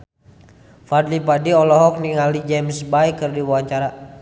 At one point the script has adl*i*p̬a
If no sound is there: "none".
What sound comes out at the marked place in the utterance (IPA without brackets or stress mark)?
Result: i